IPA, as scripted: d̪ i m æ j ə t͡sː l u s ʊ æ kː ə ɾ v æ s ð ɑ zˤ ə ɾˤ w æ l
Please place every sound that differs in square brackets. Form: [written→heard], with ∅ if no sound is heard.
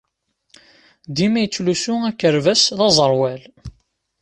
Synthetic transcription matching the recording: d̪ i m æ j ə t͡sː l u s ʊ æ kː ə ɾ v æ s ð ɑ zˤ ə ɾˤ w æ l